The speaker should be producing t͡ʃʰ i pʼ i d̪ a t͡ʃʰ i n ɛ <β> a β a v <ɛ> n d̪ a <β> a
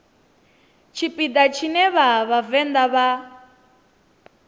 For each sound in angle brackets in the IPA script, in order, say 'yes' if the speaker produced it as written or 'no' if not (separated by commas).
yes, yes, yes